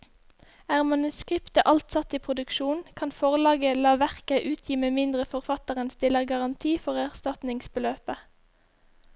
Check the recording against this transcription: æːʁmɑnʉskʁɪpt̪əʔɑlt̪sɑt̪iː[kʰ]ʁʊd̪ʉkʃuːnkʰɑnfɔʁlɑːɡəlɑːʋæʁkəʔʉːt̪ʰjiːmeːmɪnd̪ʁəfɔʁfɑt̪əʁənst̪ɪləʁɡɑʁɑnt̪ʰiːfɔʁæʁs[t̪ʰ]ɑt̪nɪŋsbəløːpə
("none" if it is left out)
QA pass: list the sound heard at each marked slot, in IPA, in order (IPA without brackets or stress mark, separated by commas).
pʰ, t̪